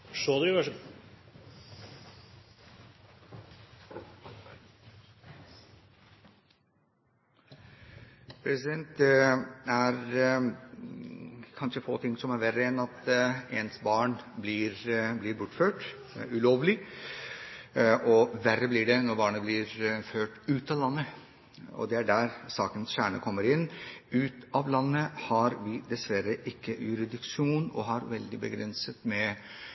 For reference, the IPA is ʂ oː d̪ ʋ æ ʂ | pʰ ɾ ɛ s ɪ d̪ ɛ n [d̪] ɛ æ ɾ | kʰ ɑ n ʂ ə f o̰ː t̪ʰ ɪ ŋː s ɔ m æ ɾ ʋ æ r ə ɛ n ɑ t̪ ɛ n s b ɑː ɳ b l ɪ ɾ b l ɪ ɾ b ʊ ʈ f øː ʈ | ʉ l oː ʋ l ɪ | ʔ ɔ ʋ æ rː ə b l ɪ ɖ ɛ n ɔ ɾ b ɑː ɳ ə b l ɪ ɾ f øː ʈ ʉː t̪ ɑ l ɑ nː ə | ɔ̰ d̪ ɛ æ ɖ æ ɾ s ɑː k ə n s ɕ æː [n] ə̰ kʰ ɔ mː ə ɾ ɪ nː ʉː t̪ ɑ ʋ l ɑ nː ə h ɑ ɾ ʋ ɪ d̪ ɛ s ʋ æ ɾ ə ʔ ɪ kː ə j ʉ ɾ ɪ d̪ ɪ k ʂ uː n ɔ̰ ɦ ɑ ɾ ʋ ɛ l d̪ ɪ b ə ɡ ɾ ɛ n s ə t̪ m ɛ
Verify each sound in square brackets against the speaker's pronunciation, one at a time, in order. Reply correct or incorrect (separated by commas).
incorrect, incorrect